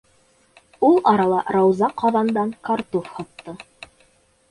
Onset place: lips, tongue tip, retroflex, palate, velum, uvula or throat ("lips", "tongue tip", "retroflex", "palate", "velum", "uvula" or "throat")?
tongue tip